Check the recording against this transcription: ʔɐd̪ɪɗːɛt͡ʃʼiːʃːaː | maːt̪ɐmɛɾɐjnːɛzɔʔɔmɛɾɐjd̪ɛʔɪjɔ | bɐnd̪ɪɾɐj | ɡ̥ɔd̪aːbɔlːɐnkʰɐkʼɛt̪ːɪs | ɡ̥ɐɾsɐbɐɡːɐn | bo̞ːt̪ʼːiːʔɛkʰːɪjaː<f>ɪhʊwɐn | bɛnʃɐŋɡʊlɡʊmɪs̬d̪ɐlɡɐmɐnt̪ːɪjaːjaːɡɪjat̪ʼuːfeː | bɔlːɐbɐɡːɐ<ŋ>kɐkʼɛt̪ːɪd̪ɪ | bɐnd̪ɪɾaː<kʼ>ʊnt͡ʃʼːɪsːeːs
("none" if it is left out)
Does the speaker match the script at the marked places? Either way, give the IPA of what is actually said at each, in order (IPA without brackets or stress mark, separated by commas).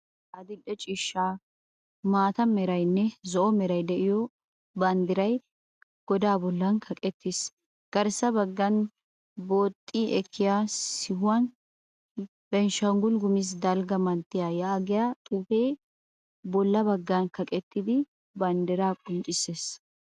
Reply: s, n, kʼ